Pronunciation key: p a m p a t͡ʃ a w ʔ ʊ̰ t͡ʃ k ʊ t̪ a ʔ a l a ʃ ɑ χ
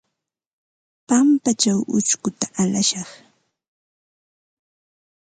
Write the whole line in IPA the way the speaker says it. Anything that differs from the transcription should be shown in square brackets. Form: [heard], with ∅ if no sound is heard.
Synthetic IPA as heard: p a m p a t͡ʃ a w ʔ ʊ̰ t͡ʃ k ʊ t̪ a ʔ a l a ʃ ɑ χ

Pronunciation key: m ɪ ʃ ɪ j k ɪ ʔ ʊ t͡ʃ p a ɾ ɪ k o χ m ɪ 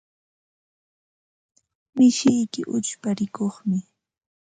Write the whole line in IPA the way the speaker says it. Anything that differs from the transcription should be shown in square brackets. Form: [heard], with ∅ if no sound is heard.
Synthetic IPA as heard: m ɪ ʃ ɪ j k ɪ ʔ ʊ t͡ʃ p a ɾ ɪ k o χ m ɪ

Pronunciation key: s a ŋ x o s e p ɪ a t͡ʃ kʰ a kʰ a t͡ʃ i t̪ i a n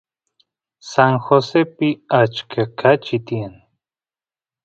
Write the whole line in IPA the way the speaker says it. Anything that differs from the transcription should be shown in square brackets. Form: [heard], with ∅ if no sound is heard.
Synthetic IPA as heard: s a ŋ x o s e p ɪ a t͡ʃ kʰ a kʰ a t͡ʃ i t̪ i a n

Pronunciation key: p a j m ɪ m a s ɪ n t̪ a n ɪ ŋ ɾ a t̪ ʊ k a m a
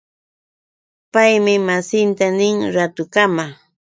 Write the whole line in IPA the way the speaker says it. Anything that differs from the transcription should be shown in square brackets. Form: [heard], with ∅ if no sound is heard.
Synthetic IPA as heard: p a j m ɪ m a s ɪ n t̪ a n ɪ ŋ ɾ a t̪ ʊ k a m a

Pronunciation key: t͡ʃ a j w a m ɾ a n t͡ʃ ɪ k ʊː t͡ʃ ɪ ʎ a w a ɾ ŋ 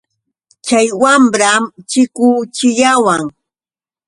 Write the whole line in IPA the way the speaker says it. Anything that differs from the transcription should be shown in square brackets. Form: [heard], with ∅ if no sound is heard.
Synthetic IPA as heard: t͡ʃ a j w a m ɾ a [m] t͡ʃ ɪ k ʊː t͡ʃ ɪ ʎ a w a [∅] ŋ

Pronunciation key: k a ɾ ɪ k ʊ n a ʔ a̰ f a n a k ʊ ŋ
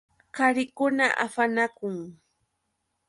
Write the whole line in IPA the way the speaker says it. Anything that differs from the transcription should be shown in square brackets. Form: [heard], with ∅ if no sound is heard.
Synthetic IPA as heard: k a ɾ ɪ k ʊ n a ʔ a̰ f a n a k ʊ ŋ

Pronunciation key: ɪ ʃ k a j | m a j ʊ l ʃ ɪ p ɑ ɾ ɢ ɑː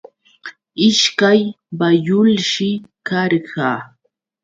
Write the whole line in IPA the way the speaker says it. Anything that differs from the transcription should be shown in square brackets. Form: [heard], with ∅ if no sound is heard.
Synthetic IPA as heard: ɪ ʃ k a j | [b] a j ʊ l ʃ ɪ [k] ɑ ɾ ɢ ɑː

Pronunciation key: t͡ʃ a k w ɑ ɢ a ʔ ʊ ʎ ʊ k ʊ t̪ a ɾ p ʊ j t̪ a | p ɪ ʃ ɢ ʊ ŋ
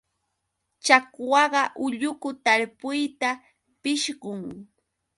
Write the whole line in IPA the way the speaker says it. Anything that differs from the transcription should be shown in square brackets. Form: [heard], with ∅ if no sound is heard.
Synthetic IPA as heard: t͡ʃ a k w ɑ ɢ [ɑ] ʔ ʊ ʎ ʊ k ʊ t̪ a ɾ p ʊ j t̪ a | p ɪ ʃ ɢ ʊ ŋ

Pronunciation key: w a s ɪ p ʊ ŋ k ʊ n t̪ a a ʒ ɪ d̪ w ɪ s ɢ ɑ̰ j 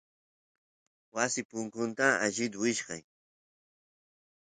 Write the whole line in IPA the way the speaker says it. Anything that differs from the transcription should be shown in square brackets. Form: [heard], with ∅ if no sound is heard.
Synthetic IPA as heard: w a s ɪ p ʊ ŋ k ʊ n t̪ a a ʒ ɪ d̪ w ɪ [ʃ] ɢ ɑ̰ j

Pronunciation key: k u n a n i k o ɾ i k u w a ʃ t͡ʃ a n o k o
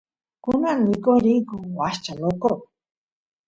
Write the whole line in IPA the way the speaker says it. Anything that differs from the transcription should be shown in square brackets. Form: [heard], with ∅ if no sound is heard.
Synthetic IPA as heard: k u n a n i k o ɾ i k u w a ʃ t͡ʃ a n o k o

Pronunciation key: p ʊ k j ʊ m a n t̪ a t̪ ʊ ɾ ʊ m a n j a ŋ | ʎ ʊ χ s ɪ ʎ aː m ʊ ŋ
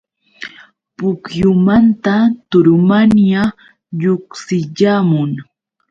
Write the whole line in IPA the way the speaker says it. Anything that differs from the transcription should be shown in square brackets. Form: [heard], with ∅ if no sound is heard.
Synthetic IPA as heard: p ʊ k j ʊ m a n t̪ a t̪ ʊ ɾ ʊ m a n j a [∅] | ʎ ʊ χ s ɪ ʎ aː m ʊ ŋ

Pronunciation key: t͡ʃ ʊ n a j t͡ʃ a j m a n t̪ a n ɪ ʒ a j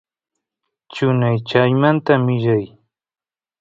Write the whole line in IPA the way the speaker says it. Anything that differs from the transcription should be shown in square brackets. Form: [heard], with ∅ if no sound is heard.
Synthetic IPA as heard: t͡ʃ ʊ n a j t͡ʃ a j m a n t̪ a [m] ɪ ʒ a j

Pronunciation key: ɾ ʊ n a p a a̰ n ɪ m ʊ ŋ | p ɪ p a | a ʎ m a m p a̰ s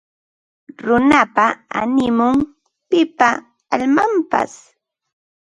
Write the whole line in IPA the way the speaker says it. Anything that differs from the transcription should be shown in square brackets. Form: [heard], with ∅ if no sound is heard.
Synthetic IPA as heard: ɾ ʊ n a p a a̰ n ɪ m ʊ ŋ | p ɪ p a | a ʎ m a m p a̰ s

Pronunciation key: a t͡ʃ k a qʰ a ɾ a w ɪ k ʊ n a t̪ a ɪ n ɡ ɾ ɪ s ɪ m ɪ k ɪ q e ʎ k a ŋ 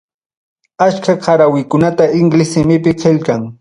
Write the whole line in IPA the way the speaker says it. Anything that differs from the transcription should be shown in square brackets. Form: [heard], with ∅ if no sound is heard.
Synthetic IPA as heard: a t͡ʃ k a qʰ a ɾ a w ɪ k ʊ n a t̪ a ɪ [ŋ] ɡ [l] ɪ s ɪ m ɪ [p] ɪ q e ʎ k a ŋ

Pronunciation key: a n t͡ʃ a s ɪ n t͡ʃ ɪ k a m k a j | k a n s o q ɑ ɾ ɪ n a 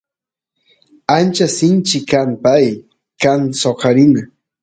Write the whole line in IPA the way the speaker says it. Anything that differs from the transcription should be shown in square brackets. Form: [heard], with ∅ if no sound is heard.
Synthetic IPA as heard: a n t͡ʃ a s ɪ n t͡ʃ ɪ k a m [p] a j | k a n s o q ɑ ɾ ɪ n a

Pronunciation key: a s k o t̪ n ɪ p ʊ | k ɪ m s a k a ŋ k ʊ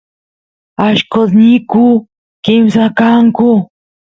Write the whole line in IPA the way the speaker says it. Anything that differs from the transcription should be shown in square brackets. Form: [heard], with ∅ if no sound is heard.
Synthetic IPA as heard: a [ʃ] k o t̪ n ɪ [k] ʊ | k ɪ m s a k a ŋ k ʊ

